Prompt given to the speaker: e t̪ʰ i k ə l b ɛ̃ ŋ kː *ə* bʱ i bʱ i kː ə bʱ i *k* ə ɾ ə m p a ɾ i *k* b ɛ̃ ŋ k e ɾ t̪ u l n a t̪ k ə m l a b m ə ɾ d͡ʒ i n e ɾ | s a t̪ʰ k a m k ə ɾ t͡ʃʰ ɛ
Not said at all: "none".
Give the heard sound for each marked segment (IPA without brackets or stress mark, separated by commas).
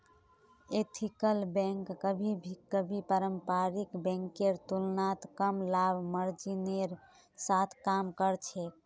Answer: ə, p, k